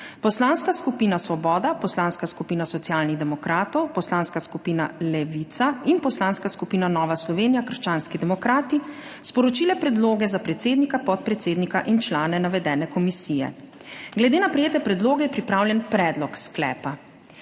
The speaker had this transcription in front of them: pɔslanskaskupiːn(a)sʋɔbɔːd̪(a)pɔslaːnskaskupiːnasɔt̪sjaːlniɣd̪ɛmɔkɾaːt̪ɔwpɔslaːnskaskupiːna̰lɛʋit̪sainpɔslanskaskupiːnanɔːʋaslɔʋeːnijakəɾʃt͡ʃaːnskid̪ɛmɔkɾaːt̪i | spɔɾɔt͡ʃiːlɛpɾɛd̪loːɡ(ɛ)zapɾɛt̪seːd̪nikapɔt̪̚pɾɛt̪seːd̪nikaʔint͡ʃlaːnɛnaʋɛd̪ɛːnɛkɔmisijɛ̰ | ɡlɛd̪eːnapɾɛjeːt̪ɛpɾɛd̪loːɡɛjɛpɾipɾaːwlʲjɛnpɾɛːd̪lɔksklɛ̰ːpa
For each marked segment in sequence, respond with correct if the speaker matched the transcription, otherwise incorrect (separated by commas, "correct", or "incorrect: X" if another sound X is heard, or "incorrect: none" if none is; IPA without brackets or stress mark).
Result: correct, correct, correct